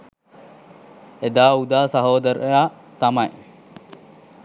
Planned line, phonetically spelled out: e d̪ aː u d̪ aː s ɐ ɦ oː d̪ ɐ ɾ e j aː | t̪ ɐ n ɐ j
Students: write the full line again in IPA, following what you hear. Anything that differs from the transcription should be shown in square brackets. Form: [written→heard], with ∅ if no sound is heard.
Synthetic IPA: e d̪ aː u d̪ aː s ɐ ɦ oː d̪ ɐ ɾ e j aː | t̪ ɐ [n→m] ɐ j